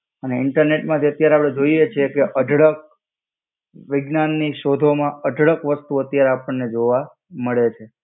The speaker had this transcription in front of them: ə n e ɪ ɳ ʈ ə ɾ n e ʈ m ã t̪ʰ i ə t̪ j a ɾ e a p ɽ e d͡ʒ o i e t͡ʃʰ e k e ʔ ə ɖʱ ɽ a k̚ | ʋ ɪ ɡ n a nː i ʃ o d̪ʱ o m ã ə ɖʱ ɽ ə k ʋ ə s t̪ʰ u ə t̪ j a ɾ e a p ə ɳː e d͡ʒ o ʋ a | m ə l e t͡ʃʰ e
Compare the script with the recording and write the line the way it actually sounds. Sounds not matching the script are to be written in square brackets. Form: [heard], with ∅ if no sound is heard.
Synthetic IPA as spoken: ə n e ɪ ɳ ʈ ə ɾ n e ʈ m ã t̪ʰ i ə t̪ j a ɾ e a p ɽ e d͡ʒ o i e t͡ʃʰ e k e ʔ ə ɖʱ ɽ [ə] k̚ | ʋ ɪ ɡ n a nː i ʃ o d̪ʱ o m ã ə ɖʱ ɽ ə k ʋ ə s [t̪] u ə t̪ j a ɾ e a p ə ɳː e d͡ʒ o ʋ a | m ə [ɭ] e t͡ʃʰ e